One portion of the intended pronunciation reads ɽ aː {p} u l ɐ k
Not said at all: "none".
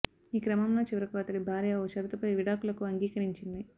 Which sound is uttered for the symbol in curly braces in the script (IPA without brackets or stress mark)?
k